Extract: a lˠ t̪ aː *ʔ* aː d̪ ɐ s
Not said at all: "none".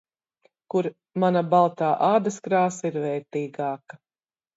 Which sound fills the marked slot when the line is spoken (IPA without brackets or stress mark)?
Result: ʔ